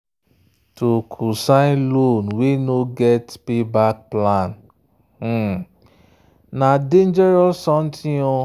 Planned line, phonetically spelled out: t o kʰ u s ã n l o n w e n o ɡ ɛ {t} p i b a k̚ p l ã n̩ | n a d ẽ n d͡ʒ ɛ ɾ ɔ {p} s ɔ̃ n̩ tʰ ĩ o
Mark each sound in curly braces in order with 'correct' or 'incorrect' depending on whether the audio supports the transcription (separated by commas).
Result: correct, incorrect